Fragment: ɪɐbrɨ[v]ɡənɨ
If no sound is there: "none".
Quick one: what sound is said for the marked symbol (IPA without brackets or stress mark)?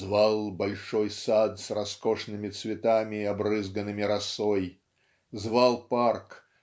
z